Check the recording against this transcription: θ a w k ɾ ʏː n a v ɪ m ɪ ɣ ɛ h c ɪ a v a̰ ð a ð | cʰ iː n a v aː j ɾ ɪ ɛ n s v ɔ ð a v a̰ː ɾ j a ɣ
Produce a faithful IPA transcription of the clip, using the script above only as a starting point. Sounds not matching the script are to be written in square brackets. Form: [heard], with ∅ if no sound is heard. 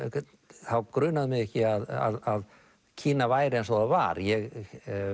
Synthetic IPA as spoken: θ a w k ɾ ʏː n a [ð] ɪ m ɪ ɣ ɛ h c ɪ a [ð] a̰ ð a ð | cʰ iː n a v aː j ɾ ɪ ɛ n s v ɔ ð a v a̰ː ɾ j [ɛ] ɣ